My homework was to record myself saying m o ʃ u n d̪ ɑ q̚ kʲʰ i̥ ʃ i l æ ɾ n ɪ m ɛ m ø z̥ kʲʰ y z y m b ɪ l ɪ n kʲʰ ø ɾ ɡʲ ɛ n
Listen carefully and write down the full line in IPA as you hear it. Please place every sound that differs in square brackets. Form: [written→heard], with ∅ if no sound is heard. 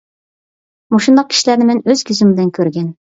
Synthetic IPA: m o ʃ u n d̪ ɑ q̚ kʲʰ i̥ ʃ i l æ ɾ n ɪ m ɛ [m→n] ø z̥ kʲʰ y z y m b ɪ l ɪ n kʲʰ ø ɾ ɡʲ ɛ n